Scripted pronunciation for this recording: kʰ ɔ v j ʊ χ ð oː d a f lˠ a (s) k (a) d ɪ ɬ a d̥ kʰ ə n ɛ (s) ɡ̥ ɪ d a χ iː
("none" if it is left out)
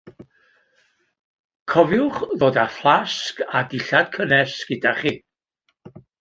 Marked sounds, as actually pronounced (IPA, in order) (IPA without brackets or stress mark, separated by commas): s, a, s